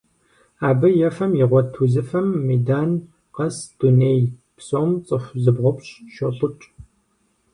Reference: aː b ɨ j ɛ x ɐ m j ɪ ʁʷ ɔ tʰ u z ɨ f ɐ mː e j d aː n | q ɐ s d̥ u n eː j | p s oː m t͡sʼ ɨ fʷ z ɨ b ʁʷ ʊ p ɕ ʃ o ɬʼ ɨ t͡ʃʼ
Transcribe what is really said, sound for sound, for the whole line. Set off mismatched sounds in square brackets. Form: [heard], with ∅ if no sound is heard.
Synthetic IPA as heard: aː b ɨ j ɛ [f] ɐ m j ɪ ʁʷ ɔ tʰ u z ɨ f ɐ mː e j d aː n | q ɐ s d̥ u n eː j | p s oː m t͡sʼ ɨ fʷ z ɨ b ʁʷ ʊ p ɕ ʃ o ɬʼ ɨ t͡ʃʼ